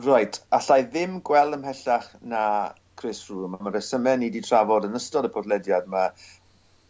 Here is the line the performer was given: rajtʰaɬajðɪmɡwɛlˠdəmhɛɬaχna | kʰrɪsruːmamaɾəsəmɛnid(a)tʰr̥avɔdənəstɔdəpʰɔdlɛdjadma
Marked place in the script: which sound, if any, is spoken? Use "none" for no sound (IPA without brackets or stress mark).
i